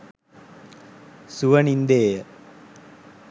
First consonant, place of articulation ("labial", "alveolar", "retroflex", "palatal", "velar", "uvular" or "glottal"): alveolar